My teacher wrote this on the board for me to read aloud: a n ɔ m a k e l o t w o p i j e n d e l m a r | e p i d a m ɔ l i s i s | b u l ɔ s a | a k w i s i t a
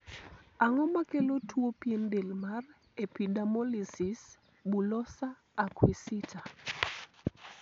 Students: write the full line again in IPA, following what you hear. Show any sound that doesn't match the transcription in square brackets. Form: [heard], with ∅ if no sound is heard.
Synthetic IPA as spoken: a [ŋ] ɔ m a k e l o t w o p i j e n d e l m a r | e p i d a m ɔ l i s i s | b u l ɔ s a | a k w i s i t a